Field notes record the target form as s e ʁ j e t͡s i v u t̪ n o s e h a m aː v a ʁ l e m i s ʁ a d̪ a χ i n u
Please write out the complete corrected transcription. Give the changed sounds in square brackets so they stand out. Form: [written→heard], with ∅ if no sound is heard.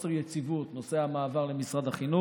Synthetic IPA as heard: s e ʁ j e t͡s i v u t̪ n o s e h a m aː v a ʁ l e m i s ʁ a d̪ a χ i n u